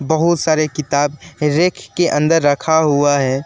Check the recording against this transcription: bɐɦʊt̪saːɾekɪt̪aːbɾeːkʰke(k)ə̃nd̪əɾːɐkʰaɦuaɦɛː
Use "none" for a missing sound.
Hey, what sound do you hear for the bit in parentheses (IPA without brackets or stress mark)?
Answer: ʔ